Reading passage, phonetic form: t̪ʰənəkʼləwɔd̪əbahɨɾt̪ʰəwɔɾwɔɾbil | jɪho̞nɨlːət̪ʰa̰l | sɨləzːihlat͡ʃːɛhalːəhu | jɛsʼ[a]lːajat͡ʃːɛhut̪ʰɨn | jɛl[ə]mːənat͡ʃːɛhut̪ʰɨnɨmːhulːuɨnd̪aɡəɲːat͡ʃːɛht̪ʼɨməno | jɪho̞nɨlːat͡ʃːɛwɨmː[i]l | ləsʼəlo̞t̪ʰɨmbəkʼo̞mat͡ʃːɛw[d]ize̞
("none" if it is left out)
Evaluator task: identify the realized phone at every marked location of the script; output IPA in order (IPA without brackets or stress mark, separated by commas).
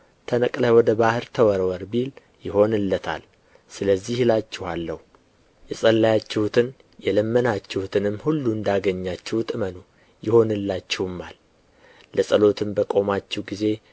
ə, ə, a, ɡ